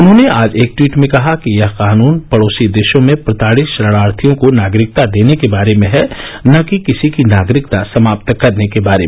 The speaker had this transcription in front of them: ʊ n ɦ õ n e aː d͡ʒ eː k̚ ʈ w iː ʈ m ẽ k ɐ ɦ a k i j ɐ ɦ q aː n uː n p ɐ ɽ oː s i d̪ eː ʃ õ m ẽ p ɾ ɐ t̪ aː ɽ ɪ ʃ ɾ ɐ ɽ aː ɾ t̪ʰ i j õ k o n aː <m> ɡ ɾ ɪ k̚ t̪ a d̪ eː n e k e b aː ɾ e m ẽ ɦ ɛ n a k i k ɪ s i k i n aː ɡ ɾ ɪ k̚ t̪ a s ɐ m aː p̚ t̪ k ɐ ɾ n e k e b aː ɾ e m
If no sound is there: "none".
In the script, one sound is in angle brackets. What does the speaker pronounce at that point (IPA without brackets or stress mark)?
none